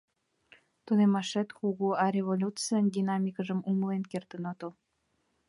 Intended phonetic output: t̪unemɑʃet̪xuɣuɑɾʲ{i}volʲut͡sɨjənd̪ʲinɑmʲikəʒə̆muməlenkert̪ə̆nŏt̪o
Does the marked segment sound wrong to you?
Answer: yes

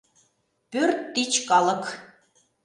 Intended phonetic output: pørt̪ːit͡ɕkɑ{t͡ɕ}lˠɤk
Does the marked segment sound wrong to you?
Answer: yes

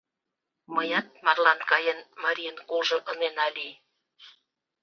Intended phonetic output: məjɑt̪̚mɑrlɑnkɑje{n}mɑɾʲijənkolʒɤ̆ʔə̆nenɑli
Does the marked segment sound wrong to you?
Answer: no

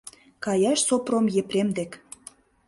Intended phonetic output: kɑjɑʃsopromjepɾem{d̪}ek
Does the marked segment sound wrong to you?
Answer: no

